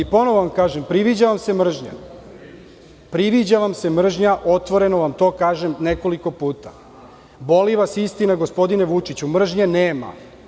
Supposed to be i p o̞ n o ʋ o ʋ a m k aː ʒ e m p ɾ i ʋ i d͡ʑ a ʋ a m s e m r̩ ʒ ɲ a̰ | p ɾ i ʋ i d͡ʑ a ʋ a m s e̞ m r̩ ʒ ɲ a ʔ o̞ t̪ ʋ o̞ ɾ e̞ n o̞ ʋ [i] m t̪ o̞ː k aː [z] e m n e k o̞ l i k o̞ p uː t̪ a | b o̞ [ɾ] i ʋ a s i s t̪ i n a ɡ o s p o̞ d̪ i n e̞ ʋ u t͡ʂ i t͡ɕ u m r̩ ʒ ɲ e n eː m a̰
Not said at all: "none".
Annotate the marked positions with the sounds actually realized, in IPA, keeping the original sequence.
a, ʒ, l

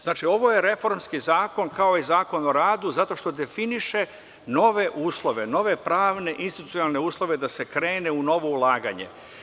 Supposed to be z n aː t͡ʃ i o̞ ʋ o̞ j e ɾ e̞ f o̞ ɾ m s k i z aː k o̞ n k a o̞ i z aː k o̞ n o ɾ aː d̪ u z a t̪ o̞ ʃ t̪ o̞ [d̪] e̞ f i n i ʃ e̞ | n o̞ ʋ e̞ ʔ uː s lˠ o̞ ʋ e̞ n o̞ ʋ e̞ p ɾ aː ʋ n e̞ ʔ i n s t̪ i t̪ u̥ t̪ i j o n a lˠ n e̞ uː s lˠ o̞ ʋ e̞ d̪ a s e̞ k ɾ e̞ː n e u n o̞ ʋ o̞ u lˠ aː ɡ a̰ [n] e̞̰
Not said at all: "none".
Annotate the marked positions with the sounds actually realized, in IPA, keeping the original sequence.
d̪, ɲ

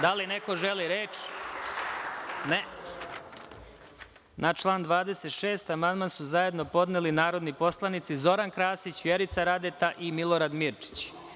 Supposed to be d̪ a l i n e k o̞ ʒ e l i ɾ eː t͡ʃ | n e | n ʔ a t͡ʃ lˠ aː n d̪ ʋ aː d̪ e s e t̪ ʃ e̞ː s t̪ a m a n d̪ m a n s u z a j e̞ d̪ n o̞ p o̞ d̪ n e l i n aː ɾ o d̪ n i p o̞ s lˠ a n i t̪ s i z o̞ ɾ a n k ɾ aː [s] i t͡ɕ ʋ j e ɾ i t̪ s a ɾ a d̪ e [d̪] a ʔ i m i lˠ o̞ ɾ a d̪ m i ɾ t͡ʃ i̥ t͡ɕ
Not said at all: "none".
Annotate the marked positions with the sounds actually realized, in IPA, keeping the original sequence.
s, t̪

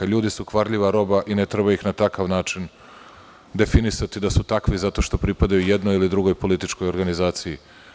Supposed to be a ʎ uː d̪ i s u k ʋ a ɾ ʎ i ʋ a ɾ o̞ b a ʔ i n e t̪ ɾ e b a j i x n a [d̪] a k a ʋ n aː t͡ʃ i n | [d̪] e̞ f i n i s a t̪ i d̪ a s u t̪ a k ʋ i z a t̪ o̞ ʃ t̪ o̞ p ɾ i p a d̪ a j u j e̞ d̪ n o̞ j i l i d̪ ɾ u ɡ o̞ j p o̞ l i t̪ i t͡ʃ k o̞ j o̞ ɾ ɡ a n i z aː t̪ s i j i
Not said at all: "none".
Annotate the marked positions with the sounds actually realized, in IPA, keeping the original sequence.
t̪, d̪

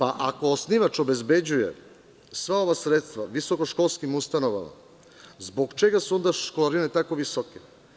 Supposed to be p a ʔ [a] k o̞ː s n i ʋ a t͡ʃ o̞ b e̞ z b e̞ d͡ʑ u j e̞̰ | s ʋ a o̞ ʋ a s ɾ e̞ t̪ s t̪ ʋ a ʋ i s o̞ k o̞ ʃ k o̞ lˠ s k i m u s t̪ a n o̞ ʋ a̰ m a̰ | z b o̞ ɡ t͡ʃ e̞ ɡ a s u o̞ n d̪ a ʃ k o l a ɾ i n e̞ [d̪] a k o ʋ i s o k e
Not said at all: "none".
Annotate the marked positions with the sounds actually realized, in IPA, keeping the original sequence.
a, t̪

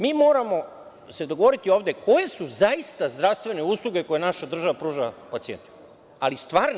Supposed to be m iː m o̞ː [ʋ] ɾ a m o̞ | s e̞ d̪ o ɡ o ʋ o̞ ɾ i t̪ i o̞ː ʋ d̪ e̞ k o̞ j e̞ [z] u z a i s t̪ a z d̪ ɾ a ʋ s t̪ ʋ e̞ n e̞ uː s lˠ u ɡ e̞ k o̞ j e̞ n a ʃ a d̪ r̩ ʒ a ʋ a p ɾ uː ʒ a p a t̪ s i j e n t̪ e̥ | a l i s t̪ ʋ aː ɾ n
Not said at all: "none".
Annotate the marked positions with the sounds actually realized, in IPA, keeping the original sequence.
none, s

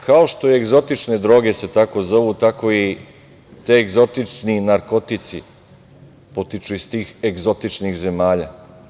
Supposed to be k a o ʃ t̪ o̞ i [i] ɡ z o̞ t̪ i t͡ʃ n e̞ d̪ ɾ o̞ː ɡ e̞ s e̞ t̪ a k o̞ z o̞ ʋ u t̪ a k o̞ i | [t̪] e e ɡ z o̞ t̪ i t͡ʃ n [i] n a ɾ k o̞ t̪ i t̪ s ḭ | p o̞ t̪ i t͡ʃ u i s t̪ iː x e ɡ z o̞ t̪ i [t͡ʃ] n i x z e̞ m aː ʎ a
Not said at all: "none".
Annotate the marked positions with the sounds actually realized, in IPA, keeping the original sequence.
e, t̪, i, t͡ʃ

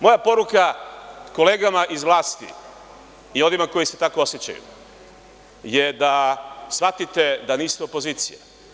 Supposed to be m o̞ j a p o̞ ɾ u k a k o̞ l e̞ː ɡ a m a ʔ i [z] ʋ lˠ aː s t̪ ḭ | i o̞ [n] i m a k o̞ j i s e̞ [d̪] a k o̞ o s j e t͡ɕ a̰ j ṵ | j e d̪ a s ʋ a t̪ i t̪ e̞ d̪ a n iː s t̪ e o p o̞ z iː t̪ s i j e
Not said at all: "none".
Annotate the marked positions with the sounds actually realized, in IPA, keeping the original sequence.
z, n, t̪

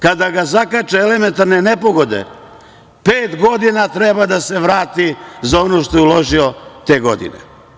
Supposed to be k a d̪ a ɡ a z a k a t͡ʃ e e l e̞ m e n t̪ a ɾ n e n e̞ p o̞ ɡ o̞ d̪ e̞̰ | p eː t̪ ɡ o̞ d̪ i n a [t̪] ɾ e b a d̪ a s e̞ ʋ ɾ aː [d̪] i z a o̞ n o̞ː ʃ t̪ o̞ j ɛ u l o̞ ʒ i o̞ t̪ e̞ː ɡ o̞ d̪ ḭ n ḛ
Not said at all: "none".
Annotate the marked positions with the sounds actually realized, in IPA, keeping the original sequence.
t̪, t̪

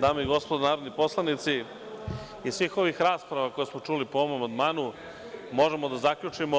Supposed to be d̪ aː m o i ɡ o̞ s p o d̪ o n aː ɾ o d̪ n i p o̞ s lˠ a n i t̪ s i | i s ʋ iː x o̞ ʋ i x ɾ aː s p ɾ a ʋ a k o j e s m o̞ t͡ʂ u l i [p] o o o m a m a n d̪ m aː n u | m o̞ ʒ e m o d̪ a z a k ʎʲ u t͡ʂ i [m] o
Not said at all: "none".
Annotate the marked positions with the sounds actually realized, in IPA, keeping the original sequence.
p, m

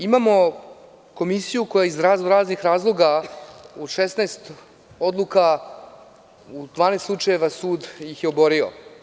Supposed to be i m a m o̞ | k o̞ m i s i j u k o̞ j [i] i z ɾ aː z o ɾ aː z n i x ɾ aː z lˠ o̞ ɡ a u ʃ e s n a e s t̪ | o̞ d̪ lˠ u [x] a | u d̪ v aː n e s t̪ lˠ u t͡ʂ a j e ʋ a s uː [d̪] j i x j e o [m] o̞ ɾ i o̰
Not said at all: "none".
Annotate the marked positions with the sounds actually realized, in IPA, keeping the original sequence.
a, k, d̪, b

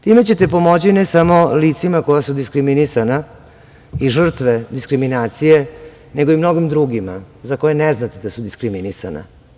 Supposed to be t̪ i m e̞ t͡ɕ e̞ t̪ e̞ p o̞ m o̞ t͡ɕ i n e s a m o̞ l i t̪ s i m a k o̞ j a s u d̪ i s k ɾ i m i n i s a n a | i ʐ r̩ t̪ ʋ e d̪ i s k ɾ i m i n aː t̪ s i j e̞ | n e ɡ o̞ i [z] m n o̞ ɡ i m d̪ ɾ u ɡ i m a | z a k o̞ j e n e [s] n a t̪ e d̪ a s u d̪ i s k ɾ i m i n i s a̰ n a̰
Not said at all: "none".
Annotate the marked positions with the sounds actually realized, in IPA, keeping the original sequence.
none, z

